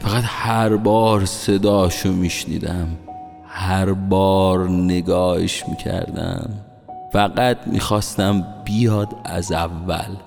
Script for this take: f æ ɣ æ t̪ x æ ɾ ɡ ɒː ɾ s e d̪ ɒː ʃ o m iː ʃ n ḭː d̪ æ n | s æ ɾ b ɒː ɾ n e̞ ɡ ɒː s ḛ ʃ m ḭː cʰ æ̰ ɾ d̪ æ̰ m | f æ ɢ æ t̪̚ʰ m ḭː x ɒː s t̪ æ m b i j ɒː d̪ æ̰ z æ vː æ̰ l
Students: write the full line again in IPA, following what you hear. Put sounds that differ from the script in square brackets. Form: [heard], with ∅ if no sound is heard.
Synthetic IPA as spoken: f æ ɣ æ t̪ [h] æ ɾ [b] ɒː ɾ s e d̪ ɒː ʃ o m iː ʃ n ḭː d̪ æ [m] | [h] æ ɾ b ɒː ɾ n e̞ ɡ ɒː [h] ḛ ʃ m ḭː cʰ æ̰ ɾ d̪ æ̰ m | f æ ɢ æ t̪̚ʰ m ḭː x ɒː s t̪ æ m b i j ɒː d̪ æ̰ z æ vː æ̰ l